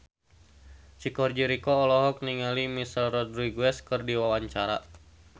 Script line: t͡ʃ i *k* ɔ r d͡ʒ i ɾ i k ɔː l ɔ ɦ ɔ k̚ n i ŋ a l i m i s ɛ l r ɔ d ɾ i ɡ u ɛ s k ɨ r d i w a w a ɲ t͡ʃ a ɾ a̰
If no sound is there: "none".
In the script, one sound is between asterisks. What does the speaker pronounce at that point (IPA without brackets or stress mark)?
k